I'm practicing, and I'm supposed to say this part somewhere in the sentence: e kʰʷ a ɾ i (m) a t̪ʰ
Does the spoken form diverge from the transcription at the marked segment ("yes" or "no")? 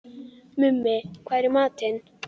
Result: no